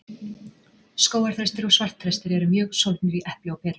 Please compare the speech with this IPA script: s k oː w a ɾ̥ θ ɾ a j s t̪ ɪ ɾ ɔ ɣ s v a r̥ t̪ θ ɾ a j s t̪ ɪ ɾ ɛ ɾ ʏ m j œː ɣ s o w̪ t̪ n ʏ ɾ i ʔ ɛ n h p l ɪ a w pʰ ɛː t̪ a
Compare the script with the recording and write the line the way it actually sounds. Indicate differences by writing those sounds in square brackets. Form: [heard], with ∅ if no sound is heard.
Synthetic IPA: s k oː w a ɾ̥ θ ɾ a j s t̪ ɪ ɾ ɔ ɣ s v a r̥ t̪ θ ɾ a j s t̪ ɪ ɾ ɛ ɾ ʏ m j œː ɣ s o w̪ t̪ n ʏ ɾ i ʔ ɛ [∅] h p l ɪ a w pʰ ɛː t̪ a